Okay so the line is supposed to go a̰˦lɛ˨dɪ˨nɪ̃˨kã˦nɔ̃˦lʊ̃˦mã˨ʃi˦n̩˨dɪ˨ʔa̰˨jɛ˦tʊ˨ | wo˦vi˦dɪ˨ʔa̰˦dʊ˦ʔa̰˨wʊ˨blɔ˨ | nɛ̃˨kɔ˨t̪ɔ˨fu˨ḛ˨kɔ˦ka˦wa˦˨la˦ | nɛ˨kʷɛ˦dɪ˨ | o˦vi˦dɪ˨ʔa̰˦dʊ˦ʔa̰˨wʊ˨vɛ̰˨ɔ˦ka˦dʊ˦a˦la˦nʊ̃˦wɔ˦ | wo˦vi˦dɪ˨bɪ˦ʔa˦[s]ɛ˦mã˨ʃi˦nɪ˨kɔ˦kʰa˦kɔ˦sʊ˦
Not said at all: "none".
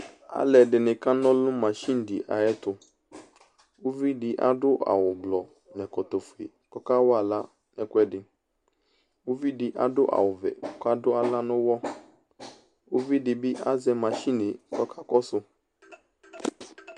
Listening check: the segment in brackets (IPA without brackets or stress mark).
z